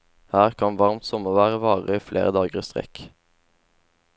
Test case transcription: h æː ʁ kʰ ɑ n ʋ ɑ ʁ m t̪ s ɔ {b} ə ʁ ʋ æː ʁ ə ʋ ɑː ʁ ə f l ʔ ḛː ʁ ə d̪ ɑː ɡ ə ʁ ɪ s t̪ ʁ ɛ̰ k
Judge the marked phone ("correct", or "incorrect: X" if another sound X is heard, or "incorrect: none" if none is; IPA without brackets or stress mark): incorrect: m